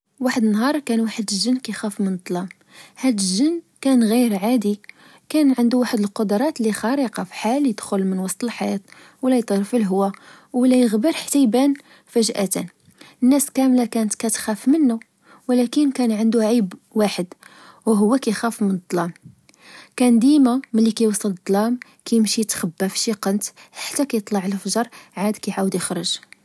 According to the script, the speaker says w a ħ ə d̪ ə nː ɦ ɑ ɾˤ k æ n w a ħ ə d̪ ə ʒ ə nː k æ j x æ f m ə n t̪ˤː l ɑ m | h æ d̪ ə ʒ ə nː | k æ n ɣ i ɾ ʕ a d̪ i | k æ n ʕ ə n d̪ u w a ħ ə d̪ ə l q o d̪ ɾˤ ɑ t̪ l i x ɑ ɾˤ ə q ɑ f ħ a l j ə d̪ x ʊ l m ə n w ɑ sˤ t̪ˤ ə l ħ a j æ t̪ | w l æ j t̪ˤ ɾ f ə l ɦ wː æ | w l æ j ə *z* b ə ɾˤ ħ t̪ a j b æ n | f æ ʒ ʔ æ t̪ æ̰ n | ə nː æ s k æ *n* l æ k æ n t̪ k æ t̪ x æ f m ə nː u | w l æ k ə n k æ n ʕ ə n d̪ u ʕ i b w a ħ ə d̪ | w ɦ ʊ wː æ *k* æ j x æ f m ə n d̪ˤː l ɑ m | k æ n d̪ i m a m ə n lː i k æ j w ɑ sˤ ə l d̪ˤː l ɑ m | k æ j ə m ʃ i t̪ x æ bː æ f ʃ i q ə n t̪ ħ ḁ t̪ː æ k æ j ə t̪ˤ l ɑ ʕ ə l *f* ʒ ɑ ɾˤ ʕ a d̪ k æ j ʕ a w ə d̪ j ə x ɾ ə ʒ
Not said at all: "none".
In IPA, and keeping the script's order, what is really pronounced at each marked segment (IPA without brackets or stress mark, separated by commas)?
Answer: ɣ, m, k, f